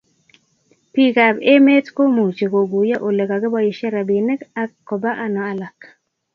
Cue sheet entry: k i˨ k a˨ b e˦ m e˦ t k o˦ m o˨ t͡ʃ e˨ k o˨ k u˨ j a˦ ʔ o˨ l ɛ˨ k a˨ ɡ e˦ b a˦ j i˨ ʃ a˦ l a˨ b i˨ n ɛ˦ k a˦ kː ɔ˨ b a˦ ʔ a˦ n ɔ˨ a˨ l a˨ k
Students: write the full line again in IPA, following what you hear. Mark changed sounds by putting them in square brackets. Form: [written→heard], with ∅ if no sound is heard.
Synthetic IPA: [k→p] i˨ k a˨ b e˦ m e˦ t k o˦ m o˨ t͡ʃ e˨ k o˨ [k→ɡ] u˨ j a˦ ʔ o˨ l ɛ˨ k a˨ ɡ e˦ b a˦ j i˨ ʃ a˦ [l→ɾ] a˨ b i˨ n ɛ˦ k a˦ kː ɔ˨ b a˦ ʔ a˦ n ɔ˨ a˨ l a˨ k